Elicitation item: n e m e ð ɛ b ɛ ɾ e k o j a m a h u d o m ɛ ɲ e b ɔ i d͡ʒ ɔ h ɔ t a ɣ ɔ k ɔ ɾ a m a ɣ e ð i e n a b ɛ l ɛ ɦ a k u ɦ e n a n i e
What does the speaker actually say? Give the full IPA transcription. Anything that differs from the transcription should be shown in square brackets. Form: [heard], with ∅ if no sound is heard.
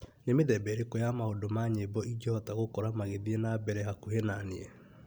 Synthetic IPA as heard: n e m e ð ɛ b ɛ ɾ e k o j a m a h [o] d o m [a] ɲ e b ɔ i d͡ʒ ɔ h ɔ t a ɣ [o] k ɔ ɾ a m a ɣ e ð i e n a b ɛ [ɾ] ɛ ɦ a k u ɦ e n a n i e